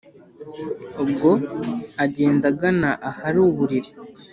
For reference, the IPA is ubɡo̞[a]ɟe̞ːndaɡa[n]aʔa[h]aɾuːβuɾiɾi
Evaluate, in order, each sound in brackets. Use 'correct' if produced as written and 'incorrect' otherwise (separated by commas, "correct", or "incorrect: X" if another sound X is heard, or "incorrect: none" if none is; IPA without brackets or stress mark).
correct, correct, correct